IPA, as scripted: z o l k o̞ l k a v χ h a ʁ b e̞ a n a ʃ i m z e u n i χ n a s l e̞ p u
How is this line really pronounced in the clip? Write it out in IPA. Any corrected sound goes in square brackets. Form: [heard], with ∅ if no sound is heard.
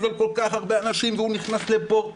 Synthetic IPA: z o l k o̞ l k a [∅] χ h a ʁ b e̞ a n a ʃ i m [v] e u n i χ n a s l e̞ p [o]